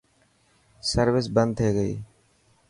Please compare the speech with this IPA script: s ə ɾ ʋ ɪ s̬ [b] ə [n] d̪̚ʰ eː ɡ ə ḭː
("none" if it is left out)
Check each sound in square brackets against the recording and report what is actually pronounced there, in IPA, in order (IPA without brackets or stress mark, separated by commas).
b, n